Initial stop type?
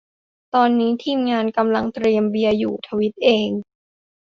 plain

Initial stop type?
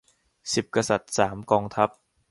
plain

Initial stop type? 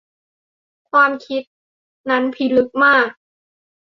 aspirated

